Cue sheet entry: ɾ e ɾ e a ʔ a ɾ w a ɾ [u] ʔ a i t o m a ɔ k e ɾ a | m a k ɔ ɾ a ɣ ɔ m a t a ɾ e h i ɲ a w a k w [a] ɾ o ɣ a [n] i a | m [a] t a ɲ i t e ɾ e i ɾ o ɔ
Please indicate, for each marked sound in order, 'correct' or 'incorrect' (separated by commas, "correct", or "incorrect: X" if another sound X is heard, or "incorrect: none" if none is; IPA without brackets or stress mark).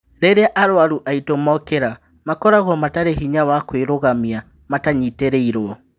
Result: correct, incorrect: e, incorrect: m, correct